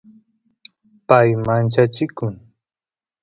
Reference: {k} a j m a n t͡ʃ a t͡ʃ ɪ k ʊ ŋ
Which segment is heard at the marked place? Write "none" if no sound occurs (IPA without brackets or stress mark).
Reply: p